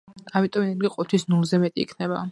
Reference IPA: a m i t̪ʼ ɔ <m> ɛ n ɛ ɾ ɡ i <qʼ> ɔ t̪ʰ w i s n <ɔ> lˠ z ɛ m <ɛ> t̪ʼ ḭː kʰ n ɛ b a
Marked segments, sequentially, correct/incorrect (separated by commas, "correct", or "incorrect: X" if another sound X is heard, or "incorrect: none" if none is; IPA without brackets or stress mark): correct, correct, incorrect: u, correct